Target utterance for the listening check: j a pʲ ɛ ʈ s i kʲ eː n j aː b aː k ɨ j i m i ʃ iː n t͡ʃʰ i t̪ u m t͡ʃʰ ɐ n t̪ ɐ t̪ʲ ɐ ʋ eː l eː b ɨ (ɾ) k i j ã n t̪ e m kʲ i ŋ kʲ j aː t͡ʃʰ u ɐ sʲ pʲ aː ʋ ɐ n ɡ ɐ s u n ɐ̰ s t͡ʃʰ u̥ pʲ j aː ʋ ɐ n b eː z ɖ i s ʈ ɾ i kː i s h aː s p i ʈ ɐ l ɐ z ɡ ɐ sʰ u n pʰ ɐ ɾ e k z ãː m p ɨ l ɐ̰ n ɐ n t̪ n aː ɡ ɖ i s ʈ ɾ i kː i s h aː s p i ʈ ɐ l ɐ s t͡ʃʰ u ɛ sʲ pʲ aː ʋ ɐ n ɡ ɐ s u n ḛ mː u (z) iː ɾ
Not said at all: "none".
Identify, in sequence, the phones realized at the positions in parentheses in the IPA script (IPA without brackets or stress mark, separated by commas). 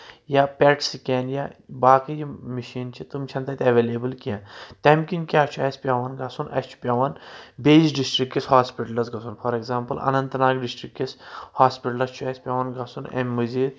l, z